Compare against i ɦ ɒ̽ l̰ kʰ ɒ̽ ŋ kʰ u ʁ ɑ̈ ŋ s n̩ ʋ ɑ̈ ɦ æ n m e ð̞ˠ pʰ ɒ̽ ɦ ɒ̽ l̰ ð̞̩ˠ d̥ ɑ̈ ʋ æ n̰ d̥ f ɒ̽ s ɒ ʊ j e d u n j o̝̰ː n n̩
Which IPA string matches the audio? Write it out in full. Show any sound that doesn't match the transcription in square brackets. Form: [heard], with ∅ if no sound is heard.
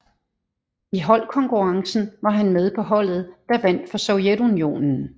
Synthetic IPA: i ɦ ɒ̽ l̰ kʰ ɒ̽ ŋ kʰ u ʁ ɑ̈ ŋ s n̩ ʋ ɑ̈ ɦ æ n m e ð̞ˠ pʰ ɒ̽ ɦ ɒ̽ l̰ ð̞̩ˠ d̥ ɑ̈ ʋ æ n̰ d̥ f ɒ̽ s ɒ ʊ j e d u n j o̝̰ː n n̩